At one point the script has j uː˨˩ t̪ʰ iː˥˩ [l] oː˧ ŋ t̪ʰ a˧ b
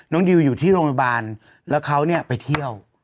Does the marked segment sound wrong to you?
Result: yes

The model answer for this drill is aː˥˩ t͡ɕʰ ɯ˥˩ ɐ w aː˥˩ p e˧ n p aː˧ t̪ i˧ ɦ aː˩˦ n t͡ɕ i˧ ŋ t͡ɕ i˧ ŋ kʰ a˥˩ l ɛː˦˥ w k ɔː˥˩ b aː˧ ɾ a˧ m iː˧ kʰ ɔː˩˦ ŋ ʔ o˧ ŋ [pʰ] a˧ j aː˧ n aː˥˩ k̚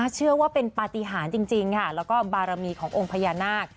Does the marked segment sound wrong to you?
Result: no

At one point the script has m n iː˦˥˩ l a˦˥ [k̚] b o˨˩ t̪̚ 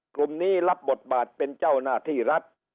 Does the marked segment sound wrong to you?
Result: yes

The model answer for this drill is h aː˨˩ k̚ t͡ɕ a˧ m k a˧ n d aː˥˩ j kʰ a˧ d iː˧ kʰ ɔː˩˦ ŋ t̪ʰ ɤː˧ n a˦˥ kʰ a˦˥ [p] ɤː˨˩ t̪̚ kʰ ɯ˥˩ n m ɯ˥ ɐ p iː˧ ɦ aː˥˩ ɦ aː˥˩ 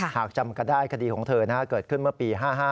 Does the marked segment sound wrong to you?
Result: yes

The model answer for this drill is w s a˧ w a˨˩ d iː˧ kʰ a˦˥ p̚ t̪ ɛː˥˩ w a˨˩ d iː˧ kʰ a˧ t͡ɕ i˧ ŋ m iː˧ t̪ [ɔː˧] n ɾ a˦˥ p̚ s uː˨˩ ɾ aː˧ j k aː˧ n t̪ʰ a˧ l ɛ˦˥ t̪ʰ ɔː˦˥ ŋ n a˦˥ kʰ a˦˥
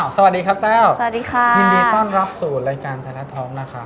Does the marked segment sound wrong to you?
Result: yes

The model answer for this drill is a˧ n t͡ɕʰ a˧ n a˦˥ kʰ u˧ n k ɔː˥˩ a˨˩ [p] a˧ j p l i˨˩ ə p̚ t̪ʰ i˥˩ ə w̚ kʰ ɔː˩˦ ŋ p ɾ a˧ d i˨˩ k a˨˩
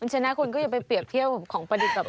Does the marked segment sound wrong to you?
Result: no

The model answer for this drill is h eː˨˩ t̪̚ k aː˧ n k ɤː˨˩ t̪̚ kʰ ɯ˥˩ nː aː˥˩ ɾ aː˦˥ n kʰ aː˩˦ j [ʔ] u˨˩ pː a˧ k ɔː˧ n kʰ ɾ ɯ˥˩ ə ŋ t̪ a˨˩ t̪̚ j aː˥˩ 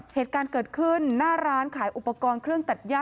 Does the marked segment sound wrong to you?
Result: no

